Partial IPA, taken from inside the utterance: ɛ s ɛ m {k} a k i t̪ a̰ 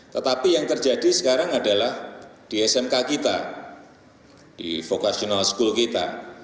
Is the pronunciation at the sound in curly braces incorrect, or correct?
correct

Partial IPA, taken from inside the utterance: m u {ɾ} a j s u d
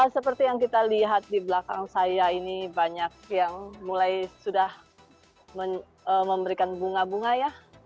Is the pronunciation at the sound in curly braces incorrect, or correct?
incorrect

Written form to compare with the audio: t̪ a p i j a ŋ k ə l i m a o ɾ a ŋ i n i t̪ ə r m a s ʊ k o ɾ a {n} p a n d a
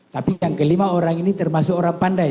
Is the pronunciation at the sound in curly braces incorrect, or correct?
incorrect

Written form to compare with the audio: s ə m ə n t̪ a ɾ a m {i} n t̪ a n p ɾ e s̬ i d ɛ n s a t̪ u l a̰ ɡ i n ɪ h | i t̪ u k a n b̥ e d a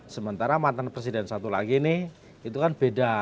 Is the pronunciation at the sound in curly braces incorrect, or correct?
incorrect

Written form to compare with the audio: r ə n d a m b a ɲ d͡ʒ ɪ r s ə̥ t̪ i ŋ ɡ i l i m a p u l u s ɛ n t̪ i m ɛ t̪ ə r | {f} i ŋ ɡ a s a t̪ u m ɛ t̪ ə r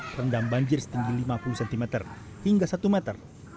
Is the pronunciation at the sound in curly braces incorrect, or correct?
incorrect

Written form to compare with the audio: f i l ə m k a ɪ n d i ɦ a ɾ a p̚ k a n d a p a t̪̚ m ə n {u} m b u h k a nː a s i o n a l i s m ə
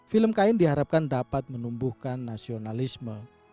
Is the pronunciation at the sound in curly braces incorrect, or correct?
correct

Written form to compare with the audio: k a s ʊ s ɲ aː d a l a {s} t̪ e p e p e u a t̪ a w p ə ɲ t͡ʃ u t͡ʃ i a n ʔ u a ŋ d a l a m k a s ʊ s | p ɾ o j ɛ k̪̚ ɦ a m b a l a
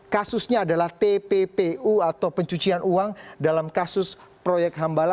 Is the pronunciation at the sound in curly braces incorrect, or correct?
incorrect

